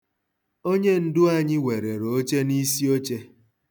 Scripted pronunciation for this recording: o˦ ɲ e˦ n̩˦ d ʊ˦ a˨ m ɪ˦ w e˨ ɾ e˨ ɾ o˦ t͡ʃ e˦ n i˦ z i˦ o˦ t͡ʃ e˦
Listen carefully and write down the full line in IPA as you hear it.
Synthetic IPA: o˦ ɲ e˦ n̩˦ d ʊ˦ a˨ ɲ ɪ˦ w e˨ ɾ e˨ ɾ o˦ t͡ʃ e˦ n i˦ s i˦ o˦ t͡ʃ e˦